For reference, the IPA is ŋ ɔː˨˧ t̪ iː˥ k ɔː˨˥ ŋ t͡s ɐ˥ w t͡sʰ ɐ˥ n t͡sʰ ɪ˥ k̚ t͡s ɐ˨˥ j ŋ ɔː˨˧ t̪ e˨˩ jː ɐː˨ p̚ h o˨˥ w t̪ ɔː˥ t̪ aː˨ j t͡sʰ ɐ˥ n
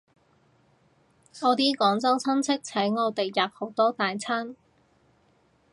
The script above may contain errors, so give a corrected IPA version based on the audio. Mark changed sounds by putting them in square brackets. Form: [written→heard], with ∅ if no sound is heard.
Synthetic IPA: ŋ ɔː˨˧ t̪ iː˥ k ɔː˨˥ ŋ t͡s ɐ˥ w t͡sʰ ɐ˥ n t͡sʰ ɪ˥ k̚ [t͡s→t͡sʰ] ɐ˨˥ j ŋ ɔː˨˧ t̪ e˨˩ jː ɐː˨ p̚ h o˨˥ w t̪ ɔː˥ t̪ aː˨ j t͡sʰ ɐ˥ n